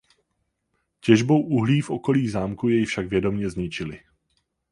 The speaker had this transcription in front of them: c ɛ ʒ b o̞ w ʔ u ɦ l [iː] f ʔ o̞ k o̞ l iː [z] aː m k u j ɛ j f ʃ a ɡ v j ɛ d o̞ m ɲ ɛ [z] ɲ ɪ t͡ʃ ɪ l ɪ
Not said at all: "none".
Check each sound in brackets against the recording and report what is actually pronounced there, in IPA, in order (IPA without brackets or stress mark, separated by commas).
iː, z, z